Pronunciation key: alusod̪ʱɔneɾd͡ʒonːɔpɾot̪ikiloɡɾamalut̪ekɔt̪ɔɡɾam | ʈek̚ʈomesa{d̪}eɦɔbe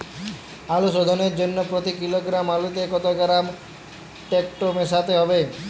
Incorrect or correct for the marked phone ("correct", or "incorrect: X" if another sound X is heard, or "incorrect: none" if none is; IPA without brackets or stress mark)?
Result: incorrect: t̪